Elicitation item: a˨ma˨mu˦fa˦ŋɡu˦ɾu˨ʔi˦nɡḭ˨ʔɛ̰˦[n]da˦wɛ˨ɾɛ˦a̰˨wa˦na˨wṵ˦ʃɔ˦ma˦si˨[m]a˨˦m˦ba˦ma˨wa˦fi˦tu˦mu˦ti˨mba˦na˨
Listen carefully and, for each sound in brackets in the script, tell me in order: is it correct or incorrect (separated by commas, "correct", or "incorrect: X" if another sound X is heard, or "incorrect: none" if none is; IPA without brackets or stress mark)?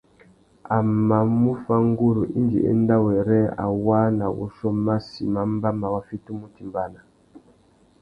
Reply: correct, correct